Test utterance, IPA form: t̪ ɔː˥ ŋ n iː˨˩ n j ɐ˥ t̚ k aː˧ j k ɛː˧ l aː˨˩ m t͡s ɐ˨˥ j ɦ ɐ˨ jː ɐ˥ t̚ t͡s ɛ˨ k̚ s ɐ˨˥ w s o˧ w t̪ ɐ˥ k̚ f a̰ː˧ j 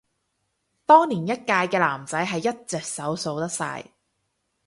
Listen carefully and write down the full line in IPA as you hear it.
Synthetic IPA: t̪ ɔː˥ ŋ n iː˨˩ n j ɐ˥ t̚ k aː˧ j k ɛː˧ l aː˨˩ m t͡s ɐ˨˥ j ɦ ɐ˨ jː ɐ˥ t̚ t͡s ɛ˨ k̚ s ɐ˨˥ w s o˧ w t̪ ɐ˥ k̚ s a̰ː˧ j